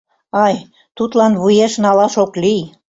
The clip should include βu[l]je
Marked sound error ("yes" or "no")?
yes